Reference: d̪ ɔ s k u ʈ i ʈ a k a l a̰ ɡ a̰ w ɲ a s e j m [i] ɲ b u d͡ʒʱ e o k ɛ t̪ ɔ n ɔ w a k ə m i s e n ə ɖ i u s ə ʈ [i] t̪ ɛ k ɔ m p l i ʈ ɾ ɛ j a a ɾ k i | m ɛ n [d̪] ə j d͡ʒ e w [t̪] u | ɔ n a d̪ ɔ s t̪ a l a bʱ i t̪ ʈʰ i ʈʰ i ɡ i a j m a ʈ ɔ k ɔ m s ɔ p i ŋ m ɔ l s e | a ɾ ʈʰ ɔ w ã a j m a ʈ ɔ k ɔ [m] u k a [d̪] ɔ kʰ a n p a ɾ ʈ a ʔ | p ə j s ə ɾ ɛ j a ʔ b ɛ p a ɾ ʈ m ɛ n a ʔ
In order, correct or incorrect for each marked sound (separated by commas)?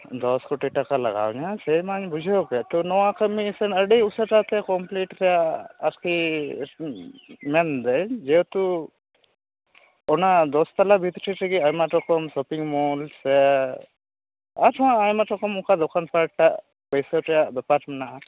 incorrect, incorrect, correct, correct, correct, correct